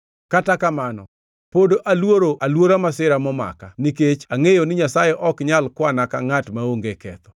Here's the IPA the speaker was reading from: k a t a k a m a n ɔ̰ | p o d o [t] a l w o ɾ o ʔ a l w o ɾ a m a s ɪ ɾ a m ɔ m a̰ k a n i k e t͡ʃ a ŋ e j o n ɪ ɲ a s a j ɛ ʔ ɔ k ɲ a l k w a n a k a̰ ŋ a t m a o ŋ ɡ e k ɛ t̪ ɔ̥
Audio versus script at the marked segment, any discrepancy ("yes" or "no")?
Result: yes